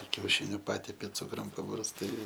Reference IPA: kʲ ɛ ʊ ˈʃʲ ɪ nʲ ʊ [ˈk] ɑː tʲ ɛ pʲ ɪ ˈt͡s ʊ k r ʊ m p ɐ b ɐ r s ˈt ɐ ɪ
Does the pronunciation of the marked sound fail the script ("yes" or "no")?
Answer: yes